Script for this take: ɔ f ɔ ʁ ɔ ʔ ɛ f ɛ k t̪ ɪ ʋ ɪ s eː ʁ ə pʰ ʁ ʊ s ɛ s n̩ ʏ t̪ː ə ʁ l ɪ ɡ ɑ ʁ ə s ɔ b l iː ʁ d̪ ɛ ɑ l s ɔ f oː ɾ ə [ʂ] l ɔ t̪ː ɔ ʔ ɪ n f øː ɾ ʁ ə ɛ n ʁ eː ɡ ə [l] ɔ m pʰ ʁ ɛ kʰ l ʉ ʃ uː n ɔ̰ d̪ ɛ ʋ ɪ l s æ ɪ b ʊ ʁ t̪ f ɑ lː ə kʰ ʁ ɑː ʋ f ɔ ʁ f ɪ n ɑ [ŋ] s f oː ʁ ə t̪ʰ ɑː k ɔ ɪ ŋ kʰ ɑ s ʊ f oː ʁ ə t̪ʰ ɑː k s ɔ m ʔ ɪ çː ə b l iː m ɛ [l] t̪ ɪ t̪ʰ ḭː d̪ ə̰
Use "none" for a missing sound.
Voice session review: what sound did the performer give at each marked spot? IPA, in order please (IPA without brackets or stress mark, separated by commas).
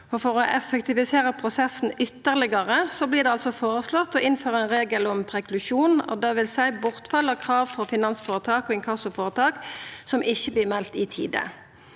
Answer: s, l, n, l